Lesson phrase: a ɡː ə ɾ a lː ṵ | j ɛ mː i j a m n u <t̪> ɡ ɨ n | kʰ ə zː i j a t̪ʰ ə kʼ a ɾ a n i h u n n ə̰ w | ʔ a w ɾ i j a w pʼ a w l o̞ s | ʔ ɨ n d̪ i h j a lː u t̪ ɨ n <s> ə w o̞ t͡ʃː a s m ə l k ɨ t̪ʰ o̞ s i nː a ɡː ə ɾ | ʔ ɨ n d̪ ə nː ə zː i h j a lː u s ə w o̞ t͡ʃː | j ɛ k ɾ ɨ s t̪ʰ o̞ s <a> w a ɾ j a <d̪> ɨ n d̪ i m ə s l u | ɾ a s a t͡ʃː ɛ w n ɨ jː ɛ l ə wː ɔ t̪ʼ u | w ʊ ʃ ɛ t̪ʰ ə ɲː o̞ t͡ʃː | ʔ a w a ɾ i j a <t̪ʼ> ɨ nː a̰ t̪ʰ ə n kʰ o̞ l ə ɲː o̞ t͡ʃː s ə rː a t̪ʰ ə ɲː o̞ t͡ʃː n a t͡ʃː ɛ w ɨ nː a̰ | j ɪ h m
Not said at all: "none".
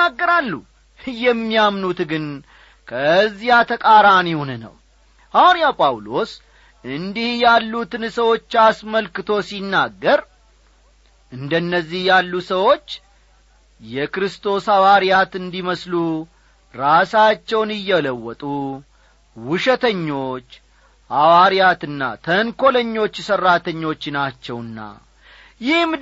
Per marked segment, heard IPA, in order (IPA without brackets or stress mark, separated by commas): t̪, s, a, t̪, t̪